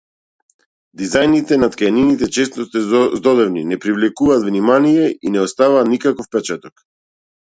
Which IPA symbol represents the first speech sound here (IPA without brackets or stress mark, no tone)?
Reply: d̪